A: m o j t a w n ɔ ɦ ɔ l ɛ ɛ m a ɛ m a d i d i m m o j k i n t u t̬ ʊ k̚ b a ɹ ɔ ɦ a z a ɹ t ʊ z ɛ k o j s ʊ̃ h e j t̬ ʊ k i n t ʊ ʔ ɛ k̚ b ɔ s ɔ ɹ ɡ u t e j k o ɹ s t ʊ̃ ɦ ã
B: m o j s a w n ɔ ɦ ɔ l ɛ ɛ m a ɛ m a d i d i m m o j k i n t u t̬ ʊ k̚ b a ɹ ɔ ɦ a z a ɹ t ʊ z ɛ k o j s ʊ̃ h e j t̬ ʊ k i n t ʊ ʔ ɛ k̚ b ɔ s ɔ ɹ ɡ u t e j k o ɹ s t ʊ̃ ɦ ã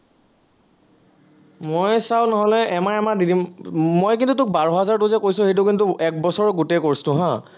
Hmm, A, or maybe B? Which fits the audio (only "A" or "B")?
B